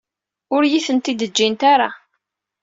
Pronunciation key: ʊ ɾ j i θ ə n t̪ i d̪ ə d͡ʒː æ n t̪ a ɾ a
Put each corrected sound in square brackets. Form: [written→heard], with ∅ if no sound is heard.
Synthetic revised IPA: ʊ ɾ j i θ ə n t̪ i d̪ ə d͡ʒː [æ→i] n t̪ a ɾ a